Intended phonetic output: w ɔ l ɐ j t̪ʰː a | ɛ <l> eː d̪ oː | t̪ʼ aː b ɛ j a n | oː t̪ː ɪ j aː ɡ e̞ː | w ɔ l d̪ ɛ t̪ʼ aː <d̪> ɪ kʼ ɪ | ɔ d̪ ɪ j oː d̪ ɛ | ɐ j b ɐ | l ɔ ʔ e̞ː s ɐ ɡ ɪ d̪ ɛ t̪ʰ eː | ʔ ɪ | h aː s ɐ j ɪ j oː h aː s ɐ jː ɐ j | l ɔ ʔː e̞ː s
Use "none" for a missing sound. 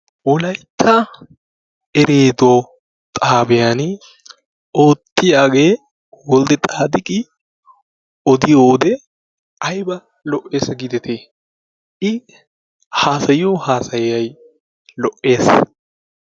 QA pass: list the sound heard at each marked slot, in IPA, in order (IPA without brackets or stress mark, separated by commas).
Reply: ɾ, d̪